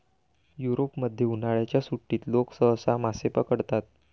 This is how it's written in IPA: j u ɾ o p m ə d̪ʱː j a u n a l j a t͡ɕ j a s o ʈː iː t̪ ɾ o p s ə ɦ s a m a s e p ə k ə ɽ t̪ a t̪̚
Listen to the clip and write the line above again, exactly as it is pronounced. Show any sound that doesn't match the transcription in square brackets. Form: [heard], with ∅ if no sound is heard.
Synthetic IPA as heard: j u ɾ o p m ə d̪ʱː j [e] u n a [ɭ] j a t͡ɕ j a s [u] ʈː iː t̪ [l] o [k] s ə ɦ s a m a s e p ə k ə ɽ t̪ a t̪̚